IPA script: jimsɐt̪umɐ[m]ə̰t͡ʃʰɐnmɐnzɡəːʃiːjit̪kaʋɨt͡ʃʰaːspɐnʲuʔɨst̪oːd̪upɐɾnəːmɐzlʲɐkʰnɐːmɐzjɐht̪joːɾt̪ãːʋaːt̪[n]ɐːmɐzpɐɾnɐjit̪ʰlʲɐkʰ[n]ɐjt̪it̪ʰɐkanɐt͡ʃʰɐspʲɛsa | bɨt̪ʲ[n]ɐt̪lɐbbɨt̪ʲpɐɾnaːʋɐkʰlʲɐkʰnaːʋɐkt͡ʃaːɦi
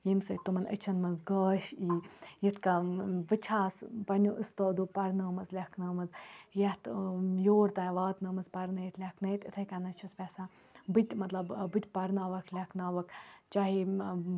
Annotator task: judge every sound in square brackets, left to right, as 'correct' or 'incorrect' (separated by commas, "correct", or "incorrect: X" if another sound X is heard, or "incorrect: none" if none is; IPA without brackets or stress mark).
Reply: incorrect: n, correct, correct, incorrect: m